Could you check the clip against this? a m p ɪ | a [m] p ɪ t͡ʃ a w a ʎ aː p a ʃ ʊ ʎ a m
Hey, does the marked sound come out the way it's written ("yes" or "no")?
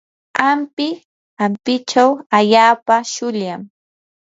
yes